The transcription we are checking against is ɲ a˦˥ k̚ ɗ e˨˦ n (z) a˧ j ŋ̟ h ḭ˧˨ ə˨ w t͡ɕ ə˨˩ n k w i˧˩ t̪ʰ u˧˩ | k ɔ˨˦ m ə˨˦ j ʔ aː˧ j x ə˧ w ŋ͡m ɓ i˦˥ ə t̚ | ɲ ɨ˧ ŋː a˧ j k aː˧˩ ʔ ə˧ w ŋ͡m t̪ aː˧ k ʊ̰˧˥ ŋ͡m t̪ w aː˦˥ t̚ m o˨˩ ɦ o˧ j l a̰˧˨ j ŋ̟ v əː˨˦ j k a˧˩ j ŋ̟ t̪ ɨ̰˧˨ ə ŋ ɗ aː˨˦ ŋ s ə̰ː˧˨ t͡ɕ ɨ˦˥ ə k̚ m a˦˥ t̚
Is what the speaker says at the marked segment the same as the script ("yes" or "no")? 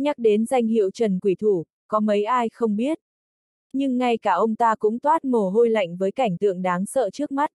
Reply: yes